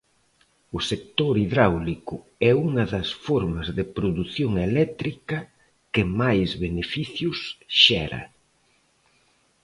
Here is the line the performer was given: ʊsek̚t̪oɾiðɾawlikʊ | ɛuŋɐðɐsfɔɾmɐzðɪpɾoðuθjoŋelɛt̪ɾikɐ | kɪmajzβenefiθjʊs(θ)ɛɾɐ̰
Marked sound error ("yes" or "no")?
yes